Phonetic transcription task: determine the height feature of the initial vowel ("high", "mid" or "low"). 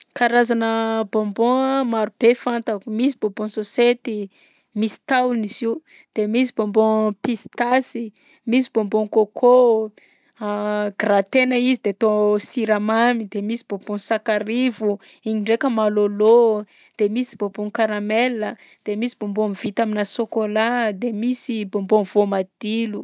low